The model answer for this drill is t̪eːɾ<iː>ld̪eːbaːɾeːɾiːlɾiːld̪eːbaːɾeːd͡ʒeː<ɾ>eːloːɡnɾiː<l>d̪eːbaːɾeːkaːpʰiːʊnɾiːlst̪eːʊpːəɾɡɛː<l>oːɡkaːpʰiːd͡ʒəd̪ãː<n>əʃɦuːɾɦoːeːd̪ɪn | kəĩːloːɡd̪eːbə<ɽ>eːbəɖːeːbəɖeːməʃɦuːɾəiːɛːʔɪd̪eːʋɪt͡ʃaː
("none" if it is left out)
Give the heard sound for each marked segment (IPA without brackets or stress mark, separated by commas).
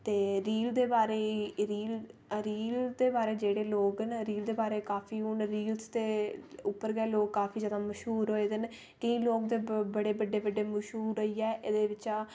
iː, ɽ, l, l, m, ɽ